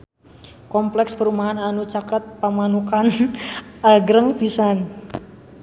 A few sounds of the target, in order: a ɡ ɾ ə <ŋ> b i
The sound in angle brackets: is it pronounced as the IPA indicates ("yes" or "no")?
yes